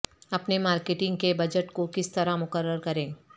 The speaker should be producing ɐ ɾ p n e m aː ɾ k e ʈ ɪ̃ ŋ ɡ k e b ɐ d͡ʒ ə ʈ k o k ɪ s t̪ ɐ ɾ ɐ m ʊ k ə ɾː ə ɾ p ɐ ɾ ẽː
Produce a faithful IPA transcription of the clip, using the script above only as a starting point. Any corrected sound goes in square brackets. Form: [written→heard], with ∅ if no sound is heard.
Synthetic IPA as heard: ɐ [ɾ→∅] p n e m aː ɾ k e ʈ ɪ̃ ŋ ɡ k e b ɐ d͡ʒ ə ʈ k o k ɪ s t̪ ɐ ɾ [ɐ→a] m ʊ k ə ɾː ə ɾ [p→k] ɐ ɾ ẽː